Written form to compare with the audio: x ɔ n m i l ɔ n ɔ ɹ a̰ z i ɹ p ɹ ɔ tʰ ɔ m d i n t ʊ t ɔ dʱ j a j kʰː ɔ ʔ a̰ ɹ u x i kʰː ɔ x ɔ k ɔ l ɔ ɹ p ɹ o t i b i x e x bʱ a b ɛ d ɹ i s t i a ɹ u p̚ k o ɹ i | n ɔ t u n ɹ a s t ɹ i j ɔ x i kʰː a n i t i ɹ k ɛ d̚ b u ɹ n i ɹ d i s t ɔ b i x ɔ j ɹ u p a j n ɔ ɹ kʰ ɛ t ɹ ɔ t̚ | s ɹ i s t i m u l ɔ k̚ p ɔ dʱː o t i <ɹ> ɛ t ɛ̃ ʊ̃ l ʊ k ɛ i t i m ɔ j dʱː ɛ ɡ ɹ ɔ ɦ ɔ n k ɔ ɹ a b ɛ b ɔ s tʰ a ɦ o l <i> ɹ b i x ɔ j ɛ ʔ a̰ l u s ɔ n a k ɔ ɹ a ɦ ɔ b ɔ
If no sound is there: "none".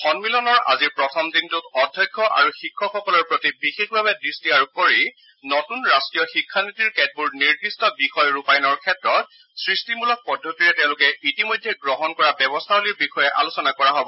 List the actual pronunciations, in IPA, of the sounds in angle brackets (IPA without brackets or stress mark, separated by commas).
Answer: ɹ, i